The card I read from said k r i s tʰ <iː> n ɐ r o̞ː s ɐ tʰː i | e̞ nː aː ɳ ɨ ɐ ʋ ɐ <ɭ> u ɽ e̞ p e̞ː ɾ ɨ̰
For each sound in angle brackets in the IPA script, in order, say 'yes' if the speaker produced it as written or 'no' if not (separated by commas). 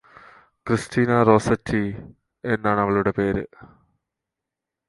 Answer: yes, yes